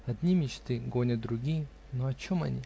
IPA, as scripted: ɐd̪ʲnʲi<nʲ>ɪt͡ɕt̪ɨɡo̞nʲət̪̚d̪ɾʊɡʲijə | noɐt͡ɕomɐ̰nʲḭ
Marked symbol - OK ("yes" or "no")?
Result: no